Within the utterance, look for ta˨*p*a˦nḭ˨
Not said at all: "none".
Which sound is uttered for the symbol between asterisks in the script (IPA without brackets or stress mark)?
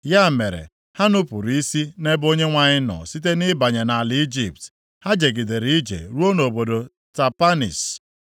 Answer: p